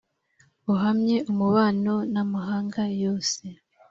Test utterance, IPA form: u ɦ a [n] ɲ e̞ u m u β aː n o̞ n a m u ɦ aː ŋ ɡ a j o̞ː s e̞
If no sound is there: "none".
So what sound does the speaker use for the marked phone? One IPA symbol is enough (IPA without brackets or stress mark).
m